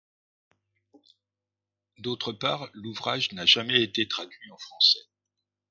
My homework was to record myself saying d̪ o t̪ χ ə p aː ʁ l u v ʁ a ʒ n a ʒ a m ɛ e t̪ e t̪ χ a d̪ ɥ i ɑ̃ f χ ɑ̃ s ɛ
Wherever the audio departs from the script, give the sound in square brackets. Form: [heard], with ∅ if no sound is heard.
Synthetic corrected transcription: d̪ o t̪ χ ə p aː ʁ l u v ʁ a ʒ n a ʒ a m ɛ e t̪ e t̪ χ a d̪ ɥ i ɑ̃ f χ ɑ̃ s ɛ